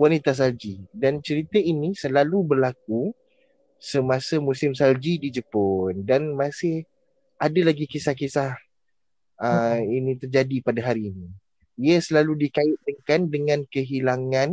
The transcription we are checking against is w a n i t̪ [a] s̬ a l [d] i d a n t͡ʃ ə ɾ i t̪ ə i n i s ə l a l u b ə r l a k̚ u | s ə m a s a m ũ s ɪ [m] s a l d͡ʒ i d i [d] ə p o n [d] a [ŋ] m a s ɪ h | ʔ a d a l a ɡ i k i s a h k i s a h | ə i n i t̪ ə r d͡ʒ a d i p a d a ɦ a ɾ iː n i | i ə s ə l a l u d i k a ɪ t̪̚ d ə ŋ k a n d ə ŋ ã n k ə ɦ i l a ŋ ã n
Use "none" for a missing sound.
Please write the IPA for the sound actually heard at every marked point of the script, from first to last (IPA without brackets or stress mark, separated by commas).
a, d͡ʒ, m, d͡ʒ, d, n